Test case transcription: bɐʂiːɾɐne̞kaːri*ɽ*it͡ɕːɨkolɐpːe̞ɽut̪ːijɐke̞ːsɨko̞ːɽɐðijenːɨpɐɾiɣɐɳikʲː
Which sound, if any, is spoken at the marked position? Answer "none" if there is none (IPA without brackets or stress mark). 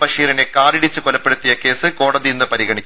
ɽ